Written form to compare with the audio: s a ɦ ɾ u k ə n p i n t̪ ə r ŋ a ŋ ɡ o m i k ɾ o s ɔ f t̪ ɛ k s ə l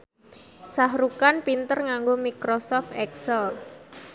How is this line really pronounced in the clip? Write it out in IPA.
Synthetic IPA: s a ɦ ɾ u k a n p i n t̪ ə r ŋ a ŋ ɡ o m i k ɾ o s ɔ f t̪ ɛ k s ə l